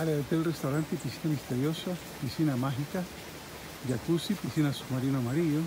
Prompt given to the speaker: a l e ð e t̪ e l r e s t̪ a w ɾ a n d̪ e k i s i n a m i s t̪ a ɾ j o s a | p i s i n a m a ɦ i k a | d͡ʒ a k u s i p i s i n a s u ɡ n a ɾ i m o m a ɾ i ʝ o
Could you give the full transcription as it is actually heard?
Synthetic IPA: a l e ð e t̪ e l r e s t̪ a w ɾ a n t̪ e p i s i n a m i s t̪ e ɾ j o s a | p i s i n a m a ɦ i k a | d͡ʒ a k u s i p i s i n a s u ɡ m a ɾ i n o m a ɾ i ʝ o

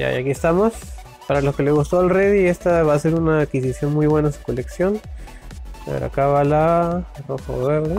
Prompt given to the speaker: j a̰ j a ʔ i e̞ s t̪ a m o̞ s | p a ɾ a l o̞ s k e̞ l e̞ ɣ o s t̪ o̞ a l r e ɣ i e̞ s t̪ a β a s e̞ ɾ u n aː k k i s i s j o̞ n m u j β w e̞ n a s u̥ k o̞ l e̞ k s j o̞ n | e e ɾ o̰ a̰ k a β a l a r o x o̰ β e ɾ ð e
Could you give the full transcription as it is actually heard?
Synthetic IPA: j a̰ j a k i e̞ s t̪ a m o̞ s | p a ɾ a l o̞ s k e̞ l e̞ ɣ u s t̪ o̞ a l r e ð i e̞ s t̪ a β a s e̞ ɾ u n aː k k i s i s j o̞ n m u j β w e̞ n a s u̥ k o̞ l e̞ k s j o̞ n | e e ɾ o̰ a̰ k a β a l a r o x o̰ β e ɾ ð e

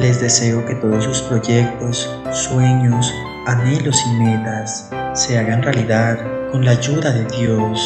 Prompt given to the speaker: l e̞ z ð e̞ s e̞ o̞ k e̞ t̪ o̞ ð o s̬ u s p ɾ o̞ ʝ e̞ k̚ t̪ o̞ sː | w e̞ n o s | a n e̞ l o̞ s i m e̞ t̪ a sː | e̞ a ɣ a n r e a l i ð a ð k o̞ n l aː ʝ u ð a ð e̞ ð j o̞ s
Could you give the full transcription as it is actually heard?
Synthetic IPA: l e̞ z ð e̞ s e̞ o̞ k e̞ t̪ o̞ ð o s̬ u s p ɾ o̞ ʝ e̞ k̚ t̪ o̞ sː | w e̞ ɲ o s | a n e̞ l o̞ s i m e̞ t̪ a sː | e̞ a ɣ a n r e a l i ð a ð k o̞ n l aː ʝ u ð a ð e̞ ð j o̞ s

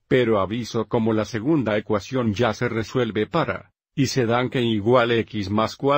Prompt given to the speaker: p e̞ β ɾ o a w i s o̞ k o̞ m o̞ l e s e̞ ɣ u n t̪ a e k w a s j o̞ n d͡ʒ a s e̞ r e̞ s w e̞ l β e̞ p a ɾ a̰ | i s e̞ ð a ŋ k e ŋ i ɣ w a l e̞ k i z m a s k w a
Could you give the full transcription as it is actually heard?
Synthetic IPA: p e̞ ɾ o a β i s o̞ k o̞ m o̞ l a s e̞ ɣ u n d̪ a e k w a s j o̞ n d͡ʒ a s e̞ r e̞ s w e̞ l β e̞ p a ɾ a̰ | i s e̞ ð a ŋ k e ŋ i ɣ w a l e̞ k i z m a s k w a

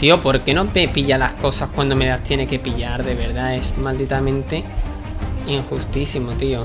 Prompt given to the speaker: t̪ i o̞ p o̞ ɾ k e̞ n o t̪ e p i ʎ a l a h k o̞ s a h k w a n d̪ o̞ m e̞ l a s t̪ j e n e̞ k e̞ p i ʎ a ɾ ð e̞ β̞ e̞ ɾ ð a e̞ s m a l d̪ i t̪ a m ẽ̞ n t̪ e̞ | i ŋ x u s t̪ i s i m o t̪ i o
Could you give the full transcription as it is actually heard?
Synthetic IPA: t̪ i o̞ p o̞ ɾ k e̞ n o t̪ e p i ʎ a l a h k o̞ s a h k w a n d̪ o̞ m e̞ l a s t̪ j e n e̞ k e̞ p i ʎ a ɾ ð e̞ β̞ e̞ ɾ ð a e̞ s m a l d̪ i t̪ a m ẽ̞ n t̪ e̞ | i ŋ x u s t̪ i s i m o t̪ i o

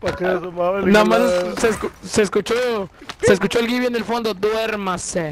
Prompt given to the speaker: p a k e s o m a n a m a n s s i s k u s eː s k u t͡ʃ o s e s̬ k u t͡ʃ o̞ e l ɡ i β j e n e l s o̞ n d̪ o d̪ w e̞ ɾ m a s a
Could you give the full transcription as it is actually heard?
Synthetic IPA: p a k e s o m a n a m a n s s e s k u s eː s k u t͡ʃ o s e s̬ k u t͡ʃ o̞ e l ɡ i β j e n e l f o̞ n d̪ o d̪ w e̞ ɾ m a s e

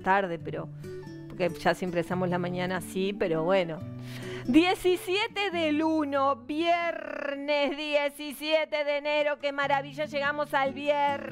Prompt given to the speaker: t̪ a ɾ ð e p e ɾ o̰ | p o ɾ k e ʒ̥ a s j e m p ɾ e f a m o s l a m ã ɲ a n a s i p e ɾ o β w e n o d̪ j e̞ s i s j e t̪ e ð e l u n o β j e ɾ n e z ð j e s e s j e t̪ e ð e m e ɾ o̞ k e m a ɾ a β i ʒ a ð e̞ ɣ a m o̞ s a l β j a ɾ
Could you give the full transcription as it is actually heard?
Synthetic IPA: t̪ a ɾ ð e p e ɾ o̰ | p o ɾ k e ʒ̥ a s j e m p ɾ e s a m o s l a m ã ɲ a n a s i p e ɾ o β w e n o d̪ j e̞ s i s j e t̪ e ð e l u n o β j e ɾ n e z ð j e s i s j e t̪ e ð e n e ɾ o̞ k e m a ɾ a β i ʒ a ʒ e̞ ɣ a m o̞ s a l β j e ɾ

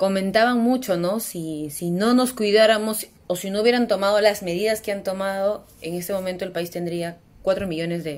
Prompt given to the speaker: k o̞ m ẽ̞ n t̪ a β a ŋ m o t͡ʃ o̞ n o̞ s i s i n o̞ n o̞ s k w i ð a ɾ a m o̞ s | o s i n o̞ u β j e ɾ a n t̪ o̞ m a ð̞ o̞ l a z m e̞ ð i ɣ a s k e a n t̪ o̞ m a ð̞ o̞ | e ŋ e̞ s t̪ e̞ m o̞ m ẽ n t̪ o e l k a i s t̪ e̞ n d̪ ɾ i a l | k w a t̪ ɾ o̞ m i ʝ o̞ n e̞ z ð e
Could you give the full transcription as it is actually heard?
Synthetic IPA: k o̞ m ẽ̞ n t̪ a β a ŋ m u t͡ʃ o̞ n o̞ s i s i n o̞ n o̞ s k w i ð a ɾ a m o̞ s | o s i n o̞ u β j e ɾ a n t̪ o̞ m a ð̞ o̞ l a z m e̞ ð i ð a s k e a n t̪ o̞ m a ð̞ o̞ | e ŋ e̞ s t̪ e̞ m o̞ m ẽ n t̪ o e l p a i s t̪ e̞ n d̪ ɾ i a | k w a t̪ ɾ o̞ m i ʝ o̞ n e̞ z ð e

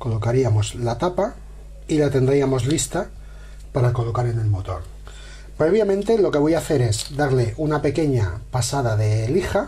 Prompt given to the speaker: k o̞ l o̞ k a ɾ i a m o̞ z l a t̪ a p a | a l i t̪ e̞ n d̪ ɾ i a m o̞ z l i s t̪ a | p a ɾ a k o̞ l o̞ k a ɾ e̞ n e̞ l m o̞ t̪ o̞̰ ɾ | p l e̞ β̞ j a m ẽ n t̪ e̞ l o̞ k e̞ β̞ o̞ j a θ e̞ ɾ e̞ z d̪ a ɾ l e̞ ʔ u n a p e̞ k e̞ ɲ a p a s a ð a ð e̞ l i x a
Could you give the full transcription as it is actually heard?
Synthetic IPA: k o̞ l o̞ k a ɾ i a m o̞ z l a t̪ a p a | i l a t̪ e̞ n d̪ ɾ i a m o̞ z l i s t̪ a | p a ɾ a k o̞ l o̞ k a ɾ e̞ n e̞ l m o̞ t̪ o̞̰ ɾ | p ɾ e̞ β̞ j a m ẽ n t̪ e̞ l o̞ k e̞ β̞ o̞ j a θ e̞ ɾ e̞ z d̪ a ɾ l e̞ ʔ u n a p e̞ k e̞ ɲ a p a s a ð a ð e̞ l i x a

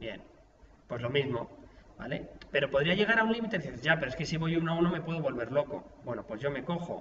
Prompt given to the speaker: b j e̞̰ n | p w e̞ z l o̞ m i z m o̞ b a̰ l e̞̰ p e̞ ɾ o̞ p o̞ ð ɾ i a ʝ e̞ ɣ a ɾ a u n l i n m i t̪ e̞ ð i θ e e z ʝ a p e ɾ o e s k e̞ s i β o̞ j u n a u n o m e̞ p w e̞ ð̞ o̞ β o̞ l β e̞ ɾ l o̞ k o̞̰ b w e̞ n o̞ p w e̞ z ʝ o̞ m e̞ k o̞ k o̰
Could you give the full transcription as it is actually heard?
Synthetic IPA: b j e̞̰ n | p w e̞ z l o̞ m i z m o̞ b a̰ l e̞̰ p e̞ ɾ o̞ p o̞ ð ɾ i a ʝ e̞ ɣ a ɾ a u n l i m i t̪ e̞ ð i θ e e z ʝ a p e ɾ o e s k e̞ s i β o̞ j u n a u n o m e̞ p w e̞ ð̞ o̞ β o̞ l β e̞ ɾ l o̞ k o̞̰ b w e̞ n o̞ p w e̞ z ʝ o̞ m e̞ k o̞ x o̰

